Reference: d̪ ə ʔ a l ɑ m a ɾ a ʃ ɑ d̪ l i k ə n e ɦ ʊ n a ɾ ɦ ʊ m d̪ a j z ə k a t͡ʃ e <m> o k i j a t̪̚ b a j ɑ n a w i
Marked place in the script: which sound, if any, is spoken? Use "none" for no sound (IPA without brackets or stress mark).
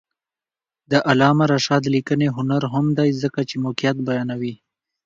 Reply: m